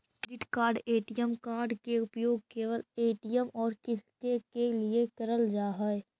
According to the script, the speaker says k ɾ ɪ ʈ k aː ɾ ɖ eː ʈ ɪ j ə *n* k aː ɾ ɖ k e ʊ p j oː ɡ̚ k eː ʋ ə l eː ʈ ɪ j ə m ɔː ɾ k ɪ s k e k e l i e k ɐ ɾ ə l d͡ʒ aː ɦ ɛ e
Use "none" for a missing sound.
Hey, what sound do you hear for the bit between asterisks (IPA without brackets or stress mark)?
m